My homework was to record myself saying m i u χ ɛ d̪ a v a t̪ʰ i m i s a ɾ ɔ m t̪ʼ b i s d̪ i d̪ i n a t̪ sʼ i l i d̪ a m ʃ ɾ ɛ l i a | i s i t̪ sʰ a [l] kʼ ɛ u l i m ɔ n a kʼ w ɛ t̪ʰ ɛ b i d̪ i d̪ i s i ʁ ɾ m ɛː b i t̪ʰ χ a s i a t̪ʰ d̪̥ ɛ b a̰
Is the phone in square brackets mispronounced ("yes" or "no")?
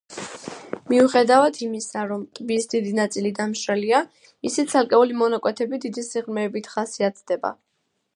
no